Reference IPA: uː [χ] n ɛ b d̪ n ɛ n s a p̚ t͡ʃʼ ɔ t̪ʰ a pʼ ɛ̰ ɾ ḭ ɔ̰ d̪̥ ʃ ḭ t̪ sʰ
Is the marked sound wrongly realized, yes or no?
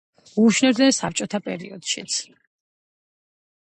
yes